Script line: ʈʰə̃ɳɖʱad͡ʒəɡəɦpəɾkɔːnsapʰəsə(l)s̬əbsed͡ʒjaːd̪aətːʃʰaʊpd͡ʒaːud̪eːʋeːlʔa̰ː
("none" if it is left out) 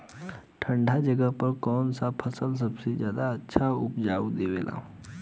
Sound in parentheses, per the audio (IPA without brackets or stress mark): l